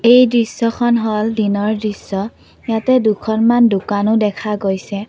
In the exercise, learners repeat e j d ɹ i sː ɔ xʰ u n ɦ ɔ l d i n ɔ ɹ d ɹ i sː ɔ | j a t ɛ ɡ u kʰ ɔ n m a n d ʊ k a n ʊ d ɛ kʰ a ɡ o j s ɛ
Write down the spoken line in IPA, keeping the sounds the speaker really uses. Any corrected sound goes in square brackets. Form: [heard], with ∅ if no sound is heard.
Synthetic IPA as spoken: e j d ɹ i sː ɔ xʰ [ɔ] n ɦ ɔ l d i n ɔ ɹ d ɹ i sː ɔ | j a t ɛ [d] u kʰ ɔ n m a n d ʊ k a n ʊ d ɛ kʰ a ɡ o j s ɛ